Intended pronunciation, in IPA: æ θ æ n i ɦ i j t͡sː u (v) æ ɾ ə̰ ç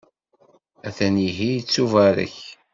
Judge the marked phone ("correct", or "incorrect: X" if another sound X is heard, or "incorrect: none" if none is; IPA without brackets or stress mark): correct